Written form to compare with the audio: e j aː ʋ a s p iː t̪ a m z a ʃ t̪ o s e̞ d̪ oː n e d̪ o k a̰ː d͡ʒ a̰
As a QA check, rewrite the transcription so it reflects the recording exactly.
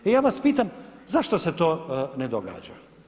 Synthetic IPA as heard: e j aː ʋ a s p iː t̪ a m z a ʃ t̪ o s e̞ t̪ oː n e d̪ o ɡ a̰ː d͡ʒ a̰